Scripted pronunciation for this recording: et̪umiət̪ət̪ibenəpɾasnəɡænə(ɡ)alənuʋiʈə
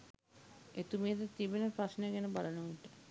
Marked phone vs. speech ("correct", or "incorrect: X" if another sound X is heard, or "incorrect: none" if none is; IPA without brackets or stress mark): incorrect: b